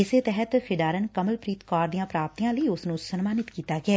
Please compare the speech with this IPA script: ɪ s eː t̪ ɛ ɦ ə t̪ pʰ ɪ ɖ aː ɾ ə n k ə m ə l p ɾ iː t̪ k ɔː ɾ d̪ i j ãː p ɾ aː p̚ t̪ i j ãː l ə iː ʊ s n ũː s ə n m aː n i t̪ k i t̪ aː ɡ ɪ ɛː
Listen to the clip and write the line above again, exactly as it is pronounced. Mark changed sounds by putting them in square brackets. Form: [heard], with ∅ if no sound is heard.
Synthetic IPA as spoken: ɪ s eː t̪ ɛ ɦ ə t̪ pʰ ɪ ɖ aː ɾ ə n k ə m ə l p ɾ iː t̪ k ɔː ɾ d̪ i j ãː p ɾ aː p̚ t̪ i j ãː l ə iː ʊ s n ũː s ə n m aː n [ɪ] t̪ k [iː] t̪ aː ɡ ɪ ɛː

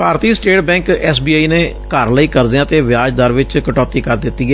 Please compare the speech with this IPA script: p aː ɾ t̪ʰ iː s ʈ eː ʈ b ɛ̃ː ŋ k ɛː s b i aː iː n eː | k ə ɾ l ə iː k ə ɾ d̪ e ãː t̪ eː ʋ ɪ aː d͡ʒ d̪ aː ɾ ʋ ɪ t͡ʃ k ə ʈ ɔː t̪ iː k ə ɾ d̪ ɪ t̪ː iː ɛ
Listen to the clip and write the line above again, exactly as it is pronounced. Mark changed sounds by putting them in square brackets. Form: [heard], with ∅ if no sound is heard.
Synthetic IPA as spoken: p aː ɾ [t̪] iː s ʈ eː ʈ b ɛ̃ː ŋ k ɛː s b i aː iː n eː | k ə ɾ l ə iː k ə ɾ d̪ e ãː t̪ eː ʋ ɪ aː d͡ʒ d̪ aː ɾ ʋ ɪ t͡ʃ k ə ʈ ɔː t̪ iː k ə ɾ d̪ ɪ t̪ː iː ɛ

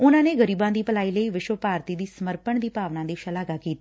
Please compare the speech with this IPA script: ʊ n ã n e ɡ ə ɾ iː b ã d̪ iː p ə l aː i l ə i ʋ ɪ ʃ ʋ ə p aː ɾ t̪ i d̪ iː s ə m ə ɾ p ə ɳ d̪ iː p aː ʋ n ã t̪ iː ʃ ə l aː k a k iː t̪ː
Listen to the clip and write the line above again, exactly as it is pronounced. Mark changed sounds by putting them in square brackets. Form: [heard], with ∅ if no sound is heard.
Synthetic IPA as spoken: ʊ n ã n e ɡ ə ɾ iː b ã d̪ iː p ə l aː i l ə i ʋ ɪ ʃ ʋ ə p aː ɾ t̪ i d̪ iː s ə m ə ɾ p ə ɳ d̪ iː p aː ʋ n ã [d̪] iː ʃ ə l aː [ɡ] a k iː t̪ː

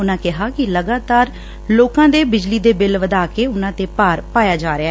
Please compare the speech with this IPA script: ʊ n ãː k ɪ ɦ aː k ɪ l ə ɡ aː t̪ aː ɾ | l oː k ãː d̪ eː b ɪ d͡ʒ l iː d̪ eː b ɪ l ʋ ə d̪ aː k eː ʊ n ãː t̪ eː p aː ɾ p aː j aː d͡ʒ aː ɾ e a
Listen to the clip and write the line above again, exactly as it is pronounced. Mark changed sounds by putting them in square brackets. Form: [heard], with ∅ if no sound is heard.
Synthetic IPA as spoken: ʊ n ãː k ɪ ɦ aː k ɪ l ə ɡ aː t̪ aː ɾ | l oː k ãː d̪ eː b ɪ d͡ʒ l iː d̪ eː b ɪ l ʋ ə d̪ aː k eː ʊ n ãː t̪ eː p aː ɾ p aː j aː d͡ʒ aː ɾ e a

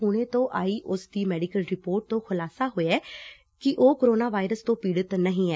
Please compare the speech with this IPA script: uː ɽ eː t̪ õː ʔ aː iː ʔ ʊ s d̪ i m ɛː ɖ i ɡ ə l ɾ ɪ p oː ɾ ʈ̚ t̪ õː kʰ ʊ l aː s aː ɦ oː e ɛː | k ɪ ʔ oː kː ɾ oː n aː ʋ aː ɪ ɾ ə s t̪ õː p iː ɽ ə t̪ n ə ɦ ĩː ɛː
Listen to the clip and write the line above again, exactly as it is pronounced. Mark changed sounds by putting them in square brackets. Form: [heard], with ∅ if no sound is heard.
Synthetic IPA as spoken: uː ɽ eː t̪ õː ʔ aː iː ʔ ʊ s d̪ [iː] m ɛː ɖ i [k] ə l ɾ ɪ p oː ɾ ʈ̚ t̪ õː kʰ ʊ l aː s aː ɦ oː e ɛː | k ɪ ʔ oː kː ɾ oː n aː ʋ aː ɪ ɾ ə s t̪ õː p iː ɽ ə t̪ n ə ɦ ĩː ɛː

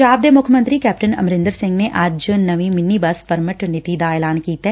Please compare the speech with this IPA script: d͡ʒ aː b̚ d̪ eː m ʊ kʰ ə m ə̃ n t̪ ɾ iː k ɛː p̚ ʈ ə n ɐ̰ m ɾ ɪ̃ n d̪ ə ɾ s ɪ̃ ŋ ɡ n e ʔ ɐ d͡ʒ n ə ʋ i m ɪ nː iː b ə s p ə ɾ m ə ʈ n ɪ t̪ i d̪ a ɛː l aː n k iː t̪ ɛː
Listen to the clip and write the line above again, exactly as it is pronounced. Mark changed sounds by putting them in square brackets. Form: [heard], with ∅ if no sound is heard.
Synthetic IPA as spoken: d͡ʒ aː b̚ d̪ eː m ʊ kʰ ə m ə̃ n t̪ ɾ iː k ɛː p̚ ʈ ə n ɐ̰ m ɾ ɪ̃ n d̪ ə ɾ s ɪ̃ ŋ ɡ n e ʔ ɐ d͡ʒ n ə ʋ i m ɪ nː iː b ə s p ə ɾ m ə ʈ n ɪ t̪ i d̪ a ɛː l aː n k iː t̪ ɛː

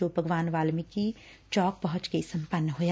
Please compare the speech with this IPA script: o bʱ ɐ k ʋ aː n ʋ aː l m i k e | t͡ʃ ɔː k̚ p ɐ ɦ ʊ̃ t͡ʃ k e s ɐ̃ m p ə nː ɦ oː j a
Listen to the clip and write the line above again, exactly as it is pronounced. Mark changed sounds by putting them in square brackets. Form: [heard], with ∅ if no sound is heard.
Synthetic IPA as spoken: o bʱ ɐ [ɡ] ʋ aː n ʋ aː l m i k [i] | t͡ʃ ɔː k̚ p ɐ ɦ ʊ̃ t͡ʃ k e s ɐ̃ m p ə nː ɦ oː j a

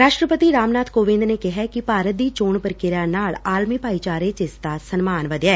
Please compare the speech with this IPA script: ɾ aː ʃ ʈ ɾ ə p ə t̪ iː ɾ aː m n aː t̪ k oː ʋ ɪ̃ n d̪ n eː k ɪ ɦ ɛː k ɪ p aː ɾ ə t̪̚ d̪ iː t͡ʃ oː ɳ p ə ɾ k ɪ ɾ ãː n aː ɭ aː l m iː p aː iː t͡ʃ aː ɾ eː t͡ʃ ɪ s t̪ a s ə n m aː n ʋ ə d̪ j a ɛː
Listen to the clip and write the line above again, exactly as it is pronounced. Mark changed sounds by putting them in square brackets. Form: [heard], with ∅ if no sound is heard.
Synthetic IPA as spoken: ɾ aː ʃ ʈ ɾ ə p ə t̪ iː ɾ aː m n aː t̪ k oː ʋ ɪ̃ n d̪ n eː k ɪ ɦ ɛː k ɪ p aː ɾ ə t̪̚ d̪ iː t͡ʃ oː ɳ p ə ɾ k ɪ ɾ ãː n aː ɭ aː l m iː p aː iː t͡ʃ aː ɾ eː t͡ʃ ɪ s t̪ a s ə n m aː n ʋ ə d̪ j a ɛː

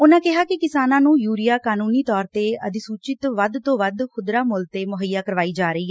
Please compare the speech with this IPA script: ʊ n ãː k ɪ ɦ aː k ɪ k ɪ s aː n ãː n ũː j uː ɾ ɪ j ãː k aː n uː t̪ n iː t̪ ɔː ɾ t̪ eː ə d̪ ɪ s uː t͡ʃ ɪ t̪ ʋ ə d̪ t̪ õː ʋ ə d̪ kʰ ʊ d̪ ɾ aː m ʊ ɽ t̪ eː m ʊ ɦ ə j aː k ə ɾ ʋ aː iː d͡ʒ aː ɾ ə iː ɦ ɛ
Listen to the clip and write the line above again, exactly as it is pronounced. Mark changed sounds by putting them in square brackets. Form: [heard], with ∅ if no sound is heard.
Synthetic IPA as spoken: ʊ n ãː k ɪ ɦ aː k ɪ k ɪ s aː n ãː n ũː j uː ɾ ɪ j [aː] k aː n uː [∅] n iː t̪ ɔː ɾ t̪ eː ə d̪ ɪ s uː t͡ʃ ɪ t̪ ʋ ə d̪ t̪ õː ʋ ə d̪ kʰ ʊ d̪ ɾ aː m ʊ [l] t̪ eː m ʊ ɦ ə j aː k ə ɾ ʋ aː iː d͡ʒ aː ɾ ə iː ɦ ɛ

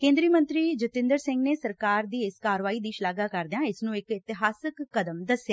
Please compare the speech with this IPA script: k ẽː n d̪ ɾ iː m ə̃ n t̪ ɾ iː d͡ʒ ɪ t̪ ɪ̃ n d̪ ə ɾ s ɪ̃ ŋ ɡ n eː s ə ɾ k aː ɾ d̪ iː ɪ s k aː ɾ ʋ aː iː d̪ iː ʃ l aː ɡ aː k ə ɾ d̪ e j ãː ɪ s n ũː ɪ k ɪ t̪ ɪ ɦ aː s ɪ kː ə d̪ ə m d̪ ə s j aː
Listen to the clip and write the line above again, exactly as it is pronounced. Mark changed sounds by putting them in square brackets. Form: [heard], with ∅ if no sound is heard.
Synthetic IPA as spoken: k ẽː n d̪ ɾ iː m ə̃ n t̪ ɾ iː d͡ʒ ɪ t̪ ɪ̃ n d̪ ə ɾ s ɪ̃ ŋ ɡ n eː s ə ɾ k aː ɾ d̪ iː ɪ s k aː ɾ ʋ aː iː d̪ iː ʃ l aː ɡ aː k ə ɾ d̪ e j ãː ɪ s n ũː ɪ k ɪ t̪ ɪ ɦ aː s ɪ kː ə d̪ ə m d̪ ə s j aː

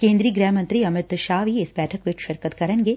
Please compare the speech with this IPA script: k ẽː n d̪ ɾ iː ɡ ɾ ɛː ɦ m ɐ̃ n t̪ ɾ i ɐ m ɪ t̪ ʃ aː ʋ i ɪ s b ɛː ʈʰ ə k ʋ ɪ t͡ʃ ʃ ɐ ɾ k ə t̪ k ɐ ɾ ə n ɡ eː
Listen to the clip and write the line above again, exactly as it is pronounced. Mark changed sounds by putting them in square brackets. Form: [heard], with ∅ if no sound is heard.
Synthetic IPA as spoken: k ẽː n d̪ ɾ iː ɡ ɾ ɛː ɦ m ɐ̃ n t̪ ɾ i ɐ m ɪ t̪ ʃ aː ʋ i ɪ s b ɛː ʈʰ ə k ʋ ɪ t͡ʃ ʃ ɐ ɾ k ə t̪ k ɐ ɾ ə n ɡ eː

